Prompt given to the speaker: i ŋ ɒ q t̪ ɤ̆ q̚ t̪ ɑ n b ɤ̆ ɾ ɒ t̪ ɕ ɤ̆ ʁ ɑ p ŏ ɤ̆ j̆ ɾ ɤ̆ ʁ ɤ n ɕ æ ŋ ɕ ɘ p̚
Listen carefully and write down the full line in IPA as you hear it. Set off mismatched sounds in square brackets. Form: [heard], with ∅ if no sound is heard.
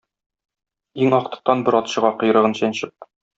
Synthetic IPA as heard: i ŋ ɒ q t̪ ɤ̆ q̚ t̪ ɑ n b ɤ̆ ɾ ɒ t̪ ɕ ɤ̆ ʁ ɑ [q] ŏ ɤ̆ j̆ ɾ ɤ̆ ʁ ɤ n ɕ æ [n] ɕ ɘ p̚